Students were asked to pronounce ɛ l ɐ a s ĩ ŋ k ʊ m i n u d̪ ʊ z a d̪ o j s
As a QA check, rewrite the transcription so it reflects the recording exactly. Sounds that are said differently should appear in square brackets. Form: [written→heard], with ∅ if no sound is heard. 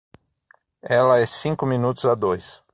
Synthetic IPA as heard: ɛ l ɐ [a→ɛ] s ĩ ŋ k ʊ m i n u [d̪→t̪] ʊ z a d̪ o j s